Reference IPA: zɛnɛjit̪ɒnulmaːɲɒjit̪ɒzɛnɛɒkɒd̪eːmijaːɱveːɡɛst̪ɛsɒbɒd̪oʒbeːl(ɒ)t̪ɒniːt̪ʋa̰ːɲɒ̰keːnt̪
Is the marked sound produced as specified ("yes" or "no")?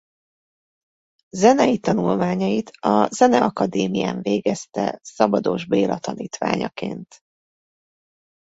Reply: yes